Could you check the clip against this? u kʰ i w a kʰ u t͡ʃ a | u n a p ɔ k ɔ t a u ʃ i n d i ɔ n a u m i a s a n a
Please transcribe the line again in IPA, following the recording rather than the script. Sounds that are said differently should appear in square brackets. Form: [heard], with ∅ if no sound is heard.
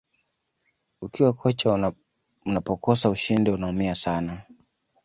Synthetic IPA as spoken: u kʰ i w a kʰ [ɔ] t͡ʃ a | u n a p ɔ k ɔ [s] a u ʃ i n d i [u] n a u m i a s a n a